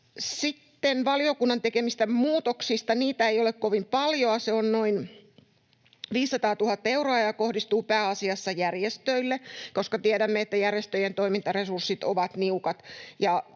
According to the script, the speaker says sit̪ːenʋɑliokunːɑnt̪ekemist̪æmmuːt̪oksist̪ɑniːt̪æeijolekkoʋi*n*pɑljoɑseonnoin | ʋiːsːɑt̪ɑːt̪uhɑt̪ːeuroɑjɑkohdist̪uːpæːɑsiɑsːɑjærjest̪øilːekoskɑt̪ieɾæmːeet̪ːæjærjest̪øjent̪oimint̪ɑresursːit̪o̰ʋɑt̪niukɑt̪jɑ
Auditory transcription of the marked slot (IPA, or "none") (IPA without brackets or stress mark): m